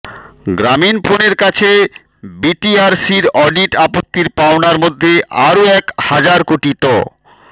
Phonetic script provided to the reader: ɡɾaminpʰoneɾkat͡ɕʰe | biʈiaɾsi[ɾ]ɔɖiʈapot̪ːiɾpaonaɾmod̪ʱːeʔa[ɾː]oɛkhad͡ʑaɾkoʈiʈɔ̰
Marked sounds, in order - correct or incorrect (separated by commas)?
correct, incorrect